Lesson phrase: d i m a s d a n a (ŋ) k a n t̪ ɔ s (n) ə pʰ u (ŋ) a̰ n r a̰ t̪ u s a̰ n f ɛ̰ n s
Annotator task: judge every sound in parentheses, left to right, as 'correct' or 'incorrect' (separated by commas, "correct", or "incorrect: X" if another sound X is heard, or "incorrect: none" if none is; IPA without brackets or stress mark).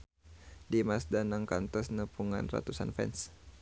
correct, correct, correct